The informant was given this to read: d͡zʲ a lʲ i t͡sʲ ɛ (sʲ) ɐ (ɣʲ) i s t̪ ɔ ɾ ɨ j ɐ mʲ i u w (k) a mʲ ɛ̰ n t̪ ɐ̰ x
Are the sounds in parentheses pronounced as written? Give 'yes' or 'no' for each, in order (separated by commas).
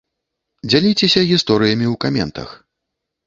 yes, yes, yes